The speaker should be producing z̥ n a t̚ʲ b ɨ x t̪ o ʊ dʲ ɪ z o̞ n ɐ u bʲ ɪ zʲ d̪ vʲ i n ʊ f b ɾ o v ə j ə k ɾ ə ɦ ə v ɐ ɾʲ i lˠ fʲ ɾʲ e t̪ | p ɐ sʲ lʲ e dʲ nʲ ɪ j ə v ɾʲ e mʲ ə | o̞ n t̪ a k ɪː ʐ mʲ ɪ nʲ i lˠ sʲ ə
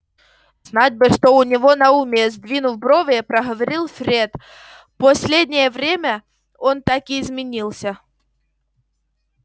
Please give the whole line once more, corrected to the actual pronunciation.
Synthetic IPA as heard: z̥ n a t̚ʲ b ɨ ʂ t̪ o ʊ nʲ ɪ v o̞ n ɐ u mʲ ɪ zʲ d̪ vʲ i n ʊ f b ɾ o v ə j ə p ɾ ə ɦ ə v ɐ ɾʲ i lˠ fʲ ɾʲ e t̪ | p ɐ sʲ lʲ e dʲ nʲ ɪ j ə v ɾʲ e mʲ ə | o̞ n t̪ a k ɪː z mʲ ɪ nʲ i lˠ sʲ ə